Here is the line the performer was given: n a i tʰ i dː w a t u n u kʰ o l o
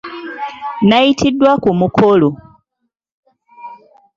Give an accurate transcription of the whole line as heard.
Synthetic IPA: n a i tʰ i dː w a k u m u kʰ o l o

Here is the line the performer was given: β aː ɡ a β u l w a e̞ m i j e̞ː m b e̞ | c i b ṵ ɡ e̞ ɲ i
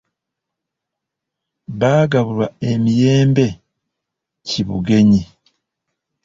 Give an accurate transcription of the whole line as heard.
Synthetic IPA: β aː ɡ a β u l w a e̞ m i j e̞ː m b e̞ | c i β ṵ ɡ e̞ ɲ i

